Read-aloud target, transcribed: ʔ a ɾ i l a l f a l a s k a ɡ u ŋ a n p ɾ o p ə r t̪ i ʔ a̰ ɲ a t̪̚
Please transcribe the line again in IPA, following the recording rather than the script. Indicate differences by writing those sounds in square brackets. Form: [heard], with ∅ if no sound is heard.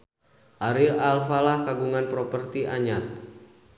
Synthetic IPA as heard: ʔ a ɾ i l a l f a l a [h] k a ɡ u ŋ a n p ɾ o p ə r t̪ i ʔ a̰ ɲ a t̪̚